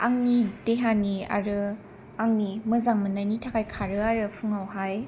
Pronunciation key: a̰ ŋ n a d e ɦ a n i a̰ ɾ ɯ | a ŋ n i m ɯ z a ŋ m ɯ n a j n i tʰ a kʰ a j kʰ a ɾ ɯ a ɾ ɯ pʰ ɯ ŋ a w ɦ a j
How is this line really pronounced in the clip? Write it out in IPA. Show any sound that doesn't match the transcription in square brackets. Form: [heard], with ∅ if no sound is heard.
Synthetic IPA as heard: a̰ ŋ n [i] d e ɦ a n i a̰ ɾ ɯ | a ŋ n i m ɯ z a ŋ m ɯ n a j n i tʰ a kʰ a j kʰ a ɾ ɯ a ɾ ɯ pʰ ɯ ŋ a w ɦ a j